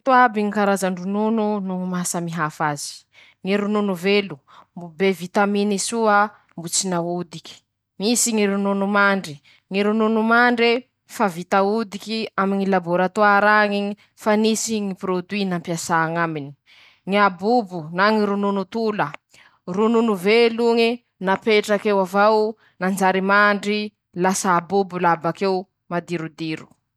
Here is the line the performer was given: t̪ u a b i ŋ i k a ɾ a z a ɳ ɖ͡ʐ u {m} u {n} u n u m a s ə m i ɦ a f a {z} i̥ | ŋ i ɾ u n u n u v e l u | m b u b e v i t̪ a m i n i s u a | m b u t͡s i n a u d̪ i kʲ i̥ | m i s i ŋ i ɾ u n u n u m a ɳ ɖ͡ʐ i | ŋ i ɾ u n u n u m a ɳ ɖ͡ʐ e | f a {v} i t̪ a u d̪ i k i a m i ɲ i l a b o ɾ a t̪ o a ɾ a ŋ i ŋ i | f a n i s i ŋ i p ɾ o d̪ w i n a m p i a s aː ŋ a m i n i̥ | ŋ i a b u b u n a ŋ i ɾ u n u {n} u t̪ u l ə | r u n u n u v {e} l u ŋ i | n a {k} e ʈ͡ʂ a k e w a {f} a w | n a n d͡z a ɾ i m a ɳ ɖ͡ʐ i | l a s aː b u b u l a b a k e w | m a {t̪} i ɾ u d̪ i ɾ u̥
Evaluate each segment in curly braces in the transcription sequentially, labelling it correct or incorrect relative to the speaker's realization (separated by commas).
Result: incorrect, correct, correct, correct, correct, correct, incorrect, incorrect, incorrect